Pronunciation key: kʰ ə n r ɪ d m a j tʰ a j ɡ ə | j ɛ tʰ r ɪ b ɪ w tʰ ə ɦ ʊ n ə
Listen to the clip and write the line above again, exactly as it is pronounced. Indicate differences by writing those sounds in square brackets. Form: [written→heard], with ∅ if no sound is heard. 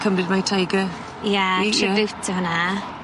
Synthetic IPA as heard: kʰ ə [n→m] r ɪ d m a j tʰ a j ɡ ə | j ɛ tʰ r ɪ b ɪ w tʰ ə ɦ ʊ n [ə→a]